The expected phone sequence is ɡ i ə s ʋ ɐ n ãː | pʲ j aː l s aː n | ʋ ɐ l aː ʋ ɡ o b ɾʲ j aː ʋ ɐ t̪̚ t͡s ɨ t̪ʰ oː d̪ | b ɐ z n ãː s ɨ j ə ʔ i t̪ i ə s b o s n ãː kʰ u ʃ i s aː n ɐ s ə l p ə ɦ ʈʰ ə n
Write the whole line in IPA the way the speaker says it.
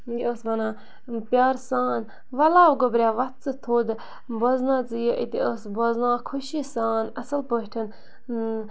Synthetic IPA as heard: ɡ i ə s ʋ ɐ n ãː | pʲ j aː ɾ s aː n | ʋ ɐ l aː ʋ ɡ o b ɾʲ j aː ʋ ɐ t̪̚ t͡s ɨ t̪ʰ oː d̪ | b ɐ z n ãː t͡s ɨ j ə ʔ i t̪ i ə s b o z n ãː kʰ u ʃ i s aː n ɐ s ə l p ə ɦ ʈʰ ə n